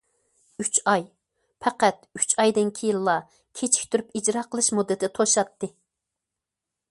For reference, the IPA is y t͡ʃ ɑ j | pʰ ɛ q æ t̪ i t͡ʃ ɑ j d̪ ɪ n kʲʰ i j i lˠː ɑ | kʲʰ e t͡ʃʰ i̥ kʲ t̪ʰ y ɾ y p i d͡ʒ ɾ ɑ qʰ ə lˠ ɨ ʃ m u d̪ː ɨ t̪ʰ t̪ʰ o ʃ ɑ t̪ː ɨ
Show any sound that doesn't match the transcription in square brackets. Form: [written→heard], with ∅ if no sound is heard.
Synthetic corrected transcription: y t͡ʃ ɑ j | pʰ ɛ q æ t̪ [i→y] t͡ʃ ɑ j d̪ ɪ n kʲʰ i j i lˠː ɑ | kʲʰ e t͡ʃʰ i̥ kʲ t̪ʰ y ɾ y p i d͡ʒ ɾ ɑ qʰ ə lˠ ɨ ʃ m u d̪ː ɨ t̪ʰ t̪ʰ o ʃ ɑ t̪ː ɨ